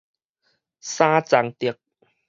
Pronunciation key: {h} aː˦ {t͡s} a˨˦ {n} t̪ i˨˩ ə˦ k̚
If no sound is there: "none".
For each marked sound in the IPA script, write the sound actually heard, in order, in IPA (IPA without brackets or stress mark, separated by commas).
s, t͡s, ŋ